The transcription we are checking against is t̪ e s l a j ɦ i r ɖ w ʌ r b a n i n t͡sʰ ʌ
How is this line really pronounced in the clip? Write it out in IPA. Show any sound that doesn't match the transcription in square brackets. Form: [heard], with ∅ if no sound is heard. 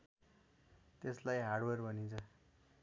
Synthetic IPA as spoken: t̪ e s l a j ɦ [a] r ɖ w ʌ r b [ʌ] n i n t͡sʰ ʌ